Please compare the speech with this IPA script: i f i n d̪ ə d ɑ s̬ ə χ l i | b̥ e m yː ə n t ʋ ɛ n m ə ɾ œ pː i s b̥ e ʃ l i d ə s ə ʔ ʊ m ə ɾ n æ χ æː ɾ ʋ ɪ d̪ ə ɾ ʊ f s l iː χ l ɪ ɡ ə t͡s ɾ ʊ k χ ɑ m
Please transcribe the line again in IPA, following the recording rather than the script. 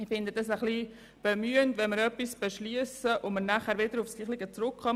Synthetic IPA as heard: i f ɪ n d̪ ə d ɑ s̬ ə χ l i | b̥ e m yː ə n t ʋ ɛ n m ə ɾ œ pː i s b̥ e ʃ l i ə s ə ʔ ʊ m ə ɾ n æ χ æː ɾ ʋ ɪ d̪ ə ɾ ʊ f s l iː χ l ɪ ɡ ə t͡s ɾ ʊ k χ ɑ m